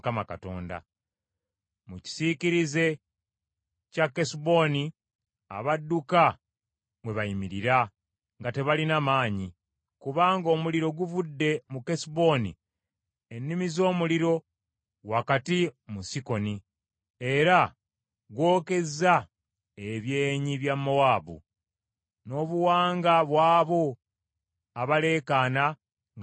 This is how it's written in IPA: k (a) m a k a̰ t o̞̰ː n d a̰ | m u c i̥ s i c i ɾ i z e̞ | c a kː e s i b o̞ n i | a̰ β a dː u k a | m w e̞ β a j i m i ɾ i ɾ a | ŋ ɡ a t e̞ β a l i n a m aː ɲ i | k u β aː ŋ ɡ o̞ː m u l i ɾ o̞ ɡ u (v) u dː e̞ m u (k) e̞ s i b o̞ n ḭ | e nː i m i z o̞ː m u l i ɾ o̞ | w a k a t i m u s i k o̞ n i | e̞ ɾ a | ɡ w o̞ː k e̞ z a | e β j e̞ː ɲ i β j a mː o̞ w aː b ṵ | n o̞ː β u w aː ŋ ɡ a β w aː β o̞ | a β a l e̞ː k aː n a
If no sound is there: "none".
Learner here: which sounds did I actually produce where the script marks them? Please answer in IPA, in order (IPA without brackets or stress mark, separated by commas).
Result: a, v, k